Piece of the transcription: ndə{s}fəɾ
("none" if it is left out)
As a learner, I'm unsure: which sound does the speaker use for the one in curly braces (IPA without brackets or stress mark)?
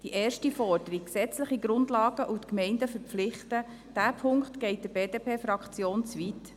none